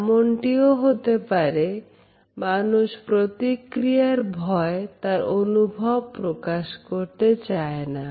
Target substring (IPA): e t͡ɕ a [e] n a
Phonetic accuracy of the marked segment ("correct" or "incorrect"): correct